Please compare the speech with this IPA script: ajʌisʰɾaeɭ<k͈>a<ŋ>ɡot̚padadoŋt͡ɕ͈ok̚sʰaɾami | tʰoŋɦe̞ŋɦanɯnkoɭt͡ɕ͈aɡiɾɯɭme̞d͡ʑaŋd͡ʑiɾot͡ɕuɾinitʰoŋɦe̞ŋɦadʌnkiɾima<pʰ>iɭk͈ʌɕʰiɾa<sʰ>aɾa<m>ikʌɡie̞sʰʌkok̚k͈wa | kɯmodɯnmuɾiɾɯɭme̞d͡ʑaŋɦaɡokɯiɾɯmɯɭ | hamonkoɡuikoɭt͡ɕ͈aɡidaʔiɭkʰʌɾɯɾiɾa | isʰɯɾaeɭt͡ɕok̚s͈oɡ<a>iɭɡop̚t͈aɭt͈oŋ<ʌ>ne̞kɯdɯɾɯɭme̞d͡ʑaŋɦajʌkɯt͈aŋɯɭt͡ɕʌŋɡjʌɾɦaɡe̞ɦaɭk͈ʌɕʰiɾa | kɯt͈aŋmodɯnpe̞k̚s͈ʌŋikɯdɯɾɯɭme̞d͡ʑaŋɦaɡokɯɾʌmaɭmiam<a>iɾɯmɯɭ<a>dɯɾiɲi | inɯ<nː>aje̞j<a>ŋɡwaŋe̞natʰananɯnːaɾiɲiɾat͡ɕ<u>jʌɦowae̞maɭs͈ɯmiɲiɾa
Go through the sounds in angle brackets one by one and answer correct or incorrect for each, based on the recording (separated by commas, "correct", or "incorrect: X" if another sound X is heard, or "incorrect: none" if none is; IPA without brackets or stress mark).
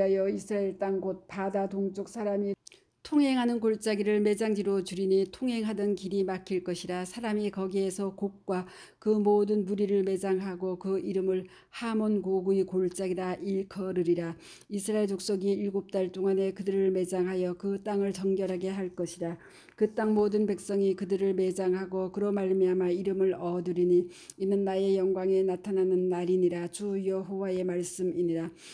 incorrect: t͈, correct, incorrect: kʰ, correct, correct, incorrect: i, incorrect: a, correct, incorrect: ʌ, correct, incorrect: ʌ, correct